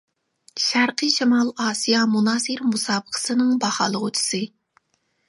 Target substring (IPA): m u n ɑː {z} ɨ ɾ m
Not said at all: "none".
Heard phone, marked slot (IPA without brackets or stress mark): s